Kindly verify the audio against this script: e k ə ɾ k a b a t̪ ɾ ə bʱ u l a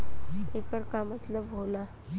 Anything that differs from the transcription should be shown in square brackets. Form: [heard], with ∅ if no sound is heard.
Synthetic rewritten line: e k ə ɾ k a [m] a t̪ [l] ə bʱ [o] l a